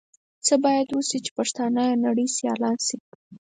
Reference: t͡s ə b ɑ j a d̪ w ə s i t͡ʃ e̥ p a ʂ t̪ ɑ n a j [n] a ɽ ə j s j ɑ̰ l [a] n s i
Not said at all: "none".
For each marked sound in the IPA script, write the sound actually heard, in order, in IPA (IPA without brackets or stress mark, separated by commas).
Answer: n, ɑ